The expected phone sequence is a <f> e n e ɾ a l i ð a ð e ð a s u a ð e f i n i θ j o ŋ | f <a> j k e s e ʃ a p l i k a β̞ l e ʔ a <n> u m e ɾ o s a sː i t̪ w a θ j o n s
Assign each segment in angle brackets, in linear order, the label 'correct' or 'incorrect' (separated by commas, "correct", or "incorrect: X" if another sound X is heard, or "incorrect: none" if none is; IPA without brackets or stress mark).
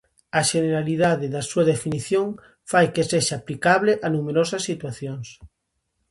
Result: incorrect: ʃ, correct, correct